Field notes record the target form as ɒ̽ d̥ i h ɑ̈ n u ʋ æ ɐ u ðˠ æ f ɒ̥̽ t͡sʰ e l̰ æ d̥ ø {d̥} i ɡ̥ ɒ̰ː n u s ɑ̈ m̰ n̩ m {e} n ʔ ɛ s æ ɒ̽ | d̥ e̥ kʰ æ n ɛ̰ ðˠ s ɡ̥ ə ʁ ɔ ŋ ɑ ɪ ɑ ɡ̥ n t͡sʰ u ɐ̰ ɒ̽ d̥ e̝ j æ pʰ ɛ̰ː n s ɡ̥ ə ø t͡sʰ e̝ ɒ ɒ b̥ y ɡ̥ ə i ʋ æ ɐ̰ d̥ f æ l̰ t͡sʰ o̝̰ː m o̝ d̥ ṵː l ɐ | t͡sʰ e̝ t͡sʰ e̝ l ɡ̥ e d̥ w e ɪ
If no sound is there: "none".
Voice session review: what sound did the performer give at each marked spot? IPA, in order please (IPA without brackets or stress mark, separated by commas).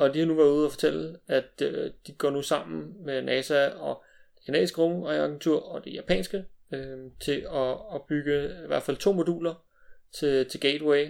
d̥, e